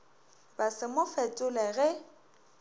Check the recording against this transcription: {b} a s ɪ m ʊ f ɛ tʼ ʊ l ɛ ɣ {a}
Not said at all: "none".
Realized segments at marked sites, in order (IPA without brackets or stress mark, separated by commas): b, ɛ